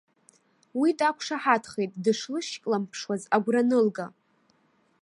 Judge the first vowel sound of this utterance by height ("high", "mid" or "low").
high